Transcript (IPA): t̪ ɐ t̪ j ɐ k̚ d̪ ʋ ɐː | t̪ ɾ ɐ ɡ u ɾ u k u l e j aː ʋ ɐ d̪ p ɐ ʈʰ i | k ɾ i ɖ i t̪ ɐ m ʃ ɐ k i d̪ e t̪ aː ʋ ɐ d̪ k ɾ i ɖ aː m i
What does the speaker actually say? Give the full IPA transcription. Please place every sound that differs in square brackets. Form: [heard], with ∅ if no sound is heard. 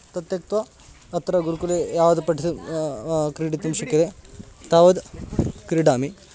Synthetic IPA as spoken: t̪ ɐ t̪ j ɐ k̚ [t̪] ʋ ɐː | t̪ ɾ ɐ ɡ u ɾ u k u l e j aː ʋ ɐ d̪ p ɐ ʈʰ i | k ɾ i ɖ i t̪ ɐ m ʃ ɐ k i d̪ e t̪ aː ʋ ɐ d̪ k ɾ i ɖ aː m i